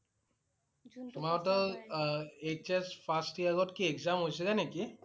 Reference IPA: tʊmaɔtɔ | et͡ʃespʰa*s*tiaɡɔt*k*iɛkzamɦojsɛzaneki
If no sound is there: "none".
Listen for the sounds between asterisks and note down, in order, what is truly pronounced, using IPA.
s, k

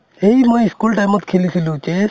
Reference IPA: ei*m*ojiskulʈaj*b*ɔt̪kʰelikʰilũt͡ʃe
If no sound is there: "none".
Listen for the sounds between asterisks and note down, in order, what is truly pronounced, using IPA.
m, m

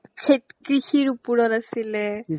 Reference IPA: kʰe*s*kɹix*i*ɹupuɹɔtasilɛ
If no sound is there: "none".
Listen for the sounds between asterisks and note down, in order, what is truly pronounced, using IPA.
t, i

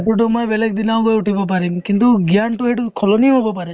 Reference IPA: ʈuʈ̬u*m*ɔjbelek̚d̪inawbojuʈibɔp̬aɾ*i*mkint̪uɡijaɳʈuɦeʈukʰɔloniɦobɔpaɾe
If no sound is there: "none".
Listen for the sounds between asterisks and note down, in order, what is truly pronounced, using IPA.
m, i

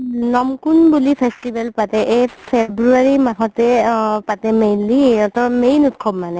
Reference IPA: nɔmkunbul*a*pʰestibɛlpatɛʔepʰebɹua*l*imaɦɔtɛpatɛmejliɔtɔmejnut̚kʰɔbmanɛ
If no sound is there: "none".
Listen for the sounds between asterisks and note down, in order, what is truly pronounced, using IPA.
i, ɹ

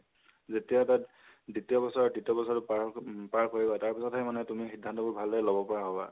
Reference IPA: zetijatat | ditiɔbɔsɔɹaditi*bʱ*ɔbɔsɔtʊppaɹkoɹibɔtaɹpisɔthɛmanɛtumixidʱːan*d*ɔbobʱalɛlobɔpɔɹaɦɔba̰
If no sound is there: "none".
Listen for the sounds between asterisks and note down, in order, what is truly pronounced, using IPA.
none, t

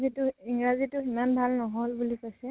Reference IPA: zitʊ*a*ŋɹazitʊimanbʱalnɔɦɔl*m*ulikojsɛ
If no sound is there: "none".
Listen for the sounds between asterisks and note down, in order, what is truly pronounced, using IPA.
i, b

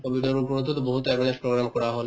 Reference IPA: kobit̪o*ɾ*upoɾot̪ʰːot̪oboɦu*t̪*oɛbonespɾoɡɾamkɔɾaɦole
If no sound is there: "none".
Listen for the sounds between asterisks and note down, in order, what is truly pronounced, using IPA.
ɾ, t̪

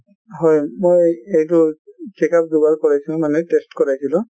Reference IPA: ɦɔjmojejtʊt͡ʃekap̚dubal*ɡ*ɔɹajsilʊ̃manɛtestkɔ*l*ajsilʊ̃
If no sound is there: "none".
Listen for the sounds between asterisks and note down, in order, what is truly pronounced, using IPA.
k, ɹ

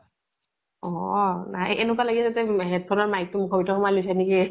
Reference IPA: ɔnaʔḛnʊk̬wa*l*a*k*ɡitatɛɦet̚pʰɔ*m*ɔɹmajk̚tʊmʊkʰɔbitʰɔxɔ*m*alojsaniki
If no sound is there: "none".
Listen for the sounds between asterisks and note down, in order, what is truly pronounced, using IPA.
l, none, n, m

